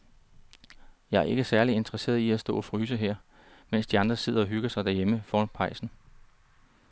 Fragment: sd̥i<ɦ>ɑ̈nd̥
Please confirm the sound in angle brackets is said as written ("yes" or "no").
no